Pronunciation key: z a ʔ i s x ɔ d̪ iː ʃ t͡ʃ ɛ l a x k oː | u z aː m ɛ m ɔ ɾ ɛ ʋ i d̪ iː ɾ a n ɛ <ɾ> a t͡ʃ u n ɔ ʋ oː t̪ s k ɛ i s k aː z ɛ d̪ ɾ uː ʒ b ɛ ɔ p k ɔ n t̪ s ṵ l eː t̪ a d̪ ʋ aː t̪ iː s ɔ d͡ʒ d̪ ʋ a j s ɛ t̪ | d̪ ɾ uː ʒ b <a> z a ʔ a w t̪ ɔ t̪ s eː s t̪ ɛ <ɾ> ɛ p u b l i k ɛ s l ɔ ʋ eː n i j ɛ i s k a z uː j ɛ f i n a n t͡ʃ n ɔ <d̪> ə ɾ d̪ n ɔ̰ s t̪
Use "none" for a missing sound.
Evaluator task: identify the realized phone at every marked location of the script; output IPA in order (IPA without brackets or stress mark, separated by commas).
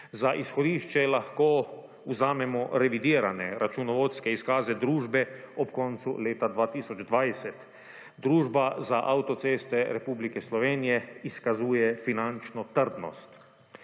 ɾ, a, ɾ, t̪